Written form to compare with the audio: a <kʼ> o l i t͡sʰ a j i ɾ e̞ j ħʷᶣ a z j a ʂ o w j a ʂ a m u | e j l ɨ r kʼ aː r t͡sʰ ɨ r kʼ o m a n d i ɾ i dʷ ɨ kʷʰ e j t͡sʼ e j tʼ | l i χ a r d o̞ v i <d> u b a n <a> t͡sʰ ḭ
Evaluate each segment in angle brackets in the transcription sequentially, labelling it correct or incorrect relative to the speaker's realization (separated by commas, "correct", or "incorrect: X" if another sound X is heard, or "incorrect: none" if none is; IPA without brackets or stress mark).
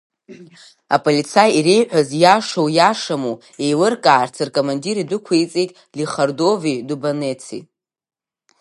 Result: incorrect: pʼ, correct, incorrect: e